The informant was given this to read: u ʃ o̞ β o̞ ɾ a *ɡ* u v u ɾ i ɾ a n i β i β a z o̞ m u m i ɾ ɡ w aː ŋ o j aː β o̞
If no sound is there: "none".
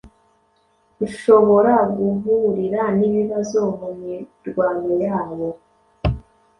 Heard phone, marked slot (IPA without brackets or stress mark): ɡ